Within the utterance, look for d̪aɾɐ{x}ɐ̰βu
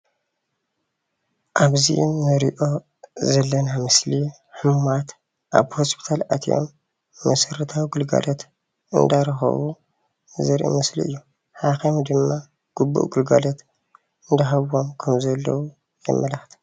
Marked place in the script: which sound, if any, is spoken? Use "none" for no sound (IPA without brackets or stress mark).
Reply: x